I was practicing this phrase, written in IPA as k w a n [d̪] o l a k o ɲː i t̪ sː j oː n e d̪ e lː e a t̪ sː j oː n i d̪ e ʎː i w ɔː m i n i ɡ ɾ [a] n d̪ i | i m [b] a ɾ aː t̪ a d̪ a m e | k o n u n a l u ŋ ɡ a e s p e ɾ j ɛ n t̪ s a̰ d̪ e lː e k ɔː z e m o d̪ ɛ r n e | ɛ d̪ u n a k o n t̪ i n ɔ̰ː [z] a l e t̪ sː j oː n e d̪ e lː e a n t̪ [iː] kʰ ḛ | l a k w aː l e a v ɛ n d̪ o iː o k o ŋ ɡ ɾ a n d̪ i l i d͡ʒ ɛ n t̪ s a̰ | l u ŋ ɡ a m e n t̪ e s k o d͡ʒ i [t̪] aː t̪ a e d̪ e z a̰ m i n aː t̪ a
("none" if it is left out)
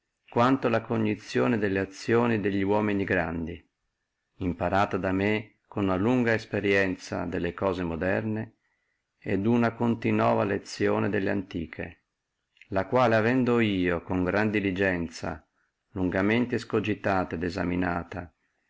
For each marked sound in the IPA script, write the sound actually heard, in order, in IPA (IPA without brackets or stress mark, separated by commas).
t̪, a, p, v, iː, t̪